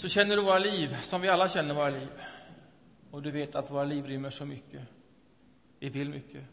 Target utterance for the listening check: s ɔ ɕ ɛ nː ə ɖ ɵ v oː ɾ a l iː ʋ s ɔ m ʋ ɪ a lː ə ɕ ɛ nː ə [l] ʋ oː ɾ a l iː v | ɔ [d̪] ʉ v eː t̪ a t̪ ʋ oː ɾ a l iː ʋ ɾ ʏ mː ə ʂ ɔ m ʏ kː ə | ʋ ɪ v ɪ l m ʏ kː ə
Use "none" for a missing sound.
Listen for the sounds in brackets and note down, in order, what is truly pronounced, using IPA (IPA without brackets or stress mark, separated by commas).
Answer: ɾ, d̪